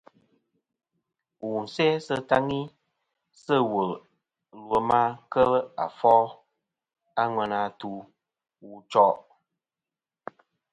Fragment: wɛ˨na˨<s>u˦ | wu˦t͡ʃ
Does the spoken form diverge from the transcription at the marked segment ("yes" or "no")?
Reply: yes